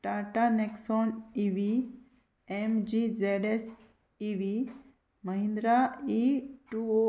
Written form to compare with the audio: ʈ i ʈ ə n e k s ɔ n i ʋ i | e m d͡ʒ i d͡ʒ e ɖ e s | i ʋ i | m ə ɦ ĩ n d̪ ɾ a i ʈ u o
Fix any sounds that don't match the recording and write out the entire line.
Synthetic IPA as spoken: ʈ a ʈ a n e k s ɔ n i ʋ i | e m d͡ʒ i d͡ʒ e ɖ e s | i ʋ i | m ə ɦ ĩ n d̪ ɾ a i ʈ u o